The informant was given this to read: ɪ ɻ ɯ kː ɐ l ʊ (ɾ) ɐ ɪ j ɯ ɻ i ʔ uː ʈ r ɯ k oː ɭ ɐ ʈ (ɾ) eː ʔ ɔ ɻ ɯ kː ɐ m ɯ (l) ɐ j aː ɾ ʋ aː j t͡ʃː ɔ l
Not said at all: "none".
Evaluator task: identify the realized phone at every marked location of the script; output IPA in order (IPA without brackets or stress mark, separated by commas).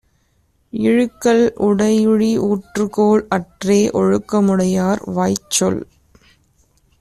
ɽ, r, ɽ